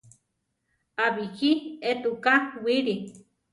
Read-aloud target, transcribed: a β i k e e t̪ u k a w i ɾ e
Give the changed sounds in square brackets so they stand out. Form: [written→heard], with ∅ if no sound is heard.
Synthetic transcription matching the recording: a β i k [e→i] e t̪ u k a w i ɾ [e→i]